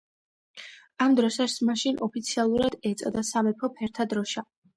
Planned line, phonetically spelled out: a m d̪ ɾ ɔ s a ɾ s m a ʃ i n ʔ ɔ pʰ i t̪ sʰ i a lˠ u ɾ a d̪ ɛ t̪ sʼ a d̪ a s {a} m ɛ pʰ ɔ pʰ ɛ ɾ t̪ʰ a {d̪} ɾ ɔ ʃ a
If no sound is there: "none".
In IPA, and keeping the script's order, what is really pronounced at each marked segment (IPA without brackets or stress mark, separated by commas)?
a, d̪